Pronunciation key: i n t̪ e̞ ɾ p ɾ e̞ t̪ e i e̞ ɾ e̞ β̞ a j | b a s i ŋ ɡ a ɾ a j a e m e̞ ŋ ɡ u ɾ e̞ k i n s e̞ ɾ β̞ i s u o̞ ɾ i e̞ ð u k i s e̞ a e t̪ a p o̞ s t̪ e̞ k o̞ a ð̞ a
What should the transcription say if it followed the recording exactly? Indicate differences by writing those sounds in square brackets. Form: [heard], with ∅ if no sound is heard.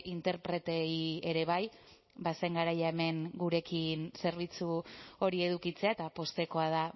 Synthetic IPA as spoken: i n t̪ e̞ ɾ p ɾ e̞ t̪ e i e̞ ɾ e̞ β̞ a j | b a s [e] ŋ ɡ a ɾ a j a e m e̞ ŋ ɡ u ɾ e̞ k i n s e̞ ɾ β̞ i [t͡s] u o̞ ɾ i e̞ ð u k i [t͡s] e̞ a e t̪ a p o̞ s t̪ e̞ k o̞ a ð̞ a